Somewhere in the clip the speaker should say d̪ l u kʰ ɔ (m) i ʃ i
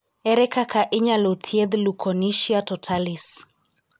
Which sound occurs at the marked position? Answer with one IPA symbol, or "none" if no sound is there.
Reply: n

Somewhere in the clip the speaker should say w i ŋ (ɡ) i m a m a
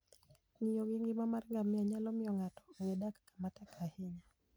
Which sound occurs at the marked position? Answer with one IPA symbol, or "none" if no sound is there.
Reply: ɡ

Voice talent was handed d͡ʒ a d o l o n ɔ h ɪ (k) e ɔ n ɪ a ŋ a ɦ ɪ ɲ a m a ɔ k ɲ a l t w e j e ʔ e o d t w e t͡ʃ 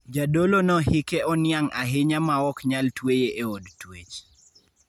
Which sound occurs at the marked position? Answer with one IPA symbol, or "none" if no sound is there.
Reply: k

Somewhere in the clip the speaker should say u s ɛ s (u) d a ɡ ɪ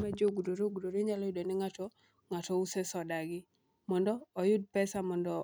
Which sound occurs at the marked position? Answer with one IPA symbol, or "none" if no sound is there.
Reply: ɔ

